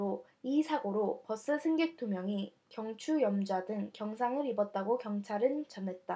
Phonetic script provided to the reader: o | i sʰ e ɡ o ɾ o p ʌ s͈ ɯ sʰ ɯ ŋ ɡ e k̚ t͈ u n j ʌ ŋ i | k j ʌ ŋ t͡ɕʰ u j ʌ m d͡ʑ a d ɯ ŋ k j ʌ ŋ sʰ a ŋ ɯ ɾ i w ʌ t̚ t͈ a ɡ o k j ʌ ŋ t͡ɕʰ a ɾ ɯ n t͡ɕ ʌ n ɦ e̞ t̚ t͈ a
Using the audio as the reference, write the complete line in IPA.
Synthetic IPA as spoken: o | i sʰ a ɡ o ɾ o p ʌ s͈ ɯ sʰ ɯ ŋ ɡ e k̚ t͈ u m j ʌ ŋ i | k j ʌ ŋ t͡ɕʰ u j ʌ m d͡ʑ a d ɯ ŋ k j ʌ ŋ sʰ a ŋ ɯ ɾ i b ʌ t̚ t͈ a ɡ o k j ʌ ŋ t͡ɕʰ a ɾ ɯ n t͡ɕ ʌ n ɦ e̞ t̚ t͈ a

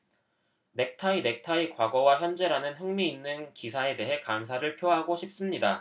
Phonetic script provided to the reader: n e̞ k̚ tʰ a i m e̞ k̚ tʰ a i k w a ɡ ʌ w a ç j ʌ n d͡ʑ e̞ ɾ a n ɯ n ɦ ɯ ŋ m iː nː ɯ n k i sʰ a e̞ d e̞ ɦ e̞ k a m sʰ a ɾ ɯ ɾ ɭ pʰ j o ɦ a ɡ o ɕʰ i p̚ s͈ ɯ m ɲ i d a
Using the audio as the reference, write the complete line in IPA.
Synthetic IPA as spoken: n e̞ k̚ tʰ a i n e̞ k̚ tʰ a i k w a ɡ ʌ w a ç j ʌ n d͡ʑ e̞ ɾ a n ɯ n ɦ ɯ ŋ m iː nː ɯ n k i sʰ a e̞ d e̞ ɦ e̞ k a m sʰ a ɾ ɯ ɭ pʰ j o ɦ a ɡ o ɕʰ i p̚ s͈ ɯ m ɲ i d a

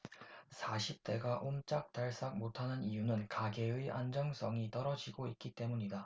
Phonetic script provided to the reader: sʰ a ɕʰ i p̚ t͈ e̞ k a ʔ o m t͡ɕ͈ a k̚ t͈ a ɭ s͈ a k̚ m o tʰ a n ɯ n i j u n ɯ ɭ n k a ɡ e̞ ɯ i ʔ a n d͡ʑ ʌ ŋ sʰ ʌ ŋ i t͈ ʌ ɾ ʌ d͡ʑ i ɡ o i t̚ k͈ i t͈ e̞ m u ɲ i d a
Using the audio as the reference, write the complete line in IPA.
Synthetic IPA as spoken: sʰ a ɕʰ i p̚ t͈ e̞ ɡ a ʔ o m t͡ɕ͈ a k̚ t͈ a ɭ s͈ a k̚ m o tʰ a n ɯ n i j u n ɯ n k a ɡ e̞ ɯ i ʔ a n d͡ʑ ʌ ŋ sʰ ʌ ŋ i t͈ ʌ ɾ ʌ d͡ʑ i ɡ o i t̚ k͈ i t͈ e̞ m u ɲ i d a

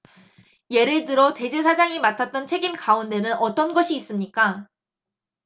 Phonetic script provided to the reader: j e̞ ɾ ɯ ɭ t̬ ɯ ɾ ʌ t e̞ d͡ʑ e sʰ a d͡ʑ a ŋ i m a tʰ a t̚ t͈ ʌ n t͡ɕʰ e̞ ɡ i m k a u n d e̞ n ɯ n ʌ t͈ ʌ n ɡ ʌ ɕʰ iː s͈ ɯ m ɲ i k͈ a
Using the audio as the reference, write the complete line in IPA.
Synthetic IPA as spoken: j e̞ ɾ ɯ ɭ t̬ ɯ ɾ ʌ t e̞ d͡ʑ e sʰ a d͡ʑ a ŋ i m a tʰ a t̚ t͈ ʌ n t͡ɕʰ e̞ ɡ i m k a u n d e̞ n ɯ n ʌ t͈ ʌ n ɡ ʌ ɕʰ iː s͈ ɯ m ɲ i k͈ a

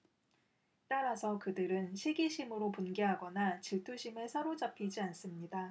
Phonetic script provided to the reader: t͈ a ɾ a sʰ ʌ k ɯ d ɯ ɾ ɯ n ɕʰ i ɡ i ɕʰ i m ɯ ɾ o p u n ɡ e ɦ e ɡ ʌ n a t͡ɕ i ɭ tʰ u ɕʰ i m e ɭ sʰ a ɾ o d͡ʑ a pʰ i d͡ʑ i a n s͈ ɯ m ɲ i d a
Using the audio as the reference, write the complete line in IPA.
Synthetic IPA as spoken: t͈ a ɾ a sʰ ʌ k ɯ d ɯ ɾ ɯ n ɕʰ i ɡ i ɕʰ i m ɯ ɾ o p u n ɡ e ɦ a ɡ ʌ n a t͡ɕ i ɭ tʰ u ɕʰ i m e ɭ sʰ a ɾ o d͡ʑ a pʰ i d͡ʑ i a n s͈ ɯ m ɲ i d a

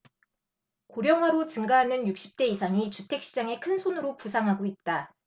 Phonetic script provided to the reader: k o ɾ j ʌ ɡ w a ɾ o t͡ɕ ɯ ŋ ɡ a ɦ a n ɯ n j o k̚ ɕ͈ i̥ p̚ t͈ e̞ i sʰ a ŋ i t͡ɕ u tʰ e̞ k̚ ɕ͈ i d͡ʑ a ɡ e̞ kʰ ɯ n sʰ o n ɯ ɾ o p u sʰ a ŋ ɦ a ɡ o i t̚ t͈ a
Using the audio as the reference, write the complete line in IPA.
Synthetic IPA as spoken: k o ɾ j ʌ ŋ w a ɾ o t͡ɕ ɯ ŋ ɡ a ɦ a n ɯ n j u k̚ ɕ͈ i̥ p̚ t͈ e̞ i sʰ a ŋ i t͡ɕ u tʰ e̞ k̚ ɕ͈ i d͡ʑ a ŋ e̞ kʰ ɯ n sʰ o n ɯ ɾ o p u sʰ a ŋ ɦ a ɡ o i t̚ t͈ a

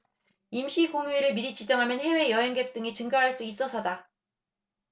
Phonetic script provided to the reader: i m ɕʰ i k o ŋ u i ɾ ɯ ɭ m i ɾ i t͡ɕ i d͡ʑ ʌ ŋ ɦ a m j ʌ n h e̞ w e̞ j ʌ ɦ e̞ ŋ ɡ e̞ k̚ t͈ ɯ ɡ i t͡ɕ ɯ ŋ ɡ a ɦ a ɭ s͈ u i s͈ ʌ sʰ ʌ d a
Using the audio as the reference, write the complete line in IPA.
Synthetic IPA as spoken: i m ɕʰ i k o ŋ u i ɾ ɯ ɭ m i ɾ i t͡ɕ i d͡ʑ ʌ ŋ ɦ a m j ʌ n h e̞ w e̞ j ʌ ɦ e̞ ŋ ɡ e̞ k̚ t͈ ɯ ŋ i t͡ɕ ɯ ŋ ɡ a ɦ a ɭ s͈ u i s͈ ʌ sʰ ʌ d a

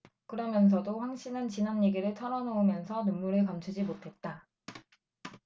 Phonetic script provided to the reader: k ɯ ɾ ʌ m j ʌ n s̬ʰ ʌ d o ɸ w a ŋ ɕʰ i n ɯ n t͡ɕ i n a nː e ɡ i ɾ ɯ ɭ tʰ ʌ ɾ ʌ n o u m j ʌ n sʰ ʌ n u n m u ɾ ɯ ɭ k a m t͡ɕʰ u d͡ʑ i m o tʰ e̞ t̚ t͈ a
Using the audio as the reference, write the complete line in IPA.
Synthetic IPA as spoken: k ɯ ɾ ʌ m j ʌ n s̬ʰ ʌ d o ɸ w a ŋ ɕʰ i n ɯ n t͡ɕ i n a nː e ɡ i ɾ ɯ ɭ tʰ ʌ ɾ ʌ n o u m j ʌ n sʰ ʌ n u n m u ɾ ɯ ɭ k a m t͡ɕʰ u d͡ʑ i m o tʰ e̞ t̚ t͈ a

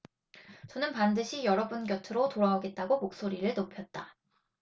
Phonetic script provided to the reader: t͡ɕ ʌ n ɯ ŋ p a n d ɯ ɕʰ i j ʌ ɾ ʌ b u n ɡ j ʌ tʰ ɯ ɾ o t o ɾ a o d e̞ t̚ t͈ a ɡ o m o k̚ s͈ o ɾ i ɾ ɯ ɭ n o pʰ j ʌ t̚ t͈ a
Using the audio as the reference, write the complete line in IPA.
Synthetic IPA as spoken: t͡ɕ ʌ n ɯ n p a n d ɯ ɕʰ i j ʌ ɾ ʌ b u n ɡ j ʌ tʰ ɯ ɾ o t o ɾ a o ɡ e̞ t̚ t͈ a ɡ o m o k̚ s͈ o ɾ i ɾ ɯ ɭ n o pʰ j ʌ t̚ t͈ a

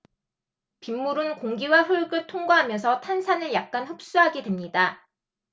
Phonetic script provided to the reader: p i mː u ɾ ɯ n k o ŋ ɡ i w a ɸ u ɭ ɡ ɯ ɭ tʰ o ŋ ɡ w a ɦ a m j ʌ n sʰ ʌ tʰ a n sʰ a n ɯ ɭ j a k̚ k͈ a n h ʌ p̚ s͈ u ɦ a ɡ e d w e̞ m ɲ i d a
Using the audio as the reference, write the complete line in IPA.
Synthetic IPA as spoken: p i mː u ɾ ɯ n k o ŋ ɡ i w a ɸ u ɭ ɡ ɯ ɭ tʰ o ŋ ɡ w a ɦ a m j ʌ n sʰ ʌ tʰ a n sʰ a n ɯ ɭ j a k̚ k͈ a n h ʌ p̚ s͈ u ɦ a ɡ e d w e̞ m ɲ i d a

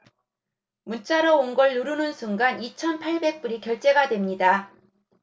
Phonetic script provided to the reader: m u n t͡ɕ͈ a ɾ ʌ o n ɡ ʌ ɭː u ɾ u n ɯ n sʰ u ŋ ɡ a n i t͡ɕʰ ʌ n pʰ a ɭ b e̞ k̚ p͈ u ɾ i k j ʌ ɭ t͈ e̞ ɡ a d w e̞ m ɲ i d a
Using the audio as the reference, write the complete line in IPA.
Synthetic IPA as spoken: m u n t͡ɕ͈ a ɾ ʌ o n ɡ ʌ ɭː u ɾ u n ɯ n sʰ u ŋ ɡ a n i t͡ɕʰ ʌ n pʰ a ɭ b e̞ k̚ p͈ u ɾ i k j ʌ ɭ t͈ e̞ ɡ a d w e̞ m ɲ i d a

